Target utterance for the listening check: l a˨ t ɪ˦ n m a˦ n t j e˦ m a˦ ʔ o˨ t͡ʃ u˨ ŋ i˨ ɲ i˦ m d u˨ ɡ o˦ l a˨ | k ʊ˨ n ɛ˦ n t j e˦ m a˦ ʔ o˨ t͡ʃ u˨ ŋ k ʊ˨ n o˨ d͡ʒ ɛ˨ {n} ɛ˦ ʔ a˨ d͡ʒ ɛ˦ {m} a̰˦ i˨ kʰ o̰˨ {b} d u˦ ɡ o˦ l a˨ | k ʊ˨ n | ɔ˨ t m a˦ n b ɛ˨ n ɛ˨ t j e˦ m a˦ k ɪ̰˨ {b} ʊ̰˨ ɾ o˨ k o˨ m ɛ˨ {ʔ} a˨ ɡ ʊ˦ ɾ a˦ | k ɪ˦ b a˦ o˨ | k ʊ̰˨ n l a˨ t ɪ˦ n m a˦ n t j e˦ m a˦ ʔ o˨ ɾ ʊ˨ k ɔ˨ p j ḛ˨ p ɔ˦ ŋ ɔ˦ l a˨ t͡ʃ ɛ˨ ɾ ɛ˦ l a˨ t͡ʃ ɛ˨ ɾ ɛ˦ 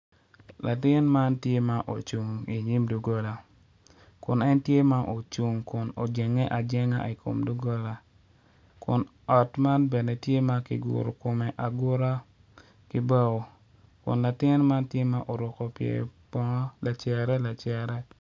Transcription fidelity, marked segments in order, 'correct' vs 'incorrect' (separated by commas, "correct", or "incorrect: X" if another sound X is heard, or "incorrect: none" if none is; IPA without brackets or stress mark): incorrect: ŋ, incorrect: ŋ, incorrect: m, incorrect: ɡ, correct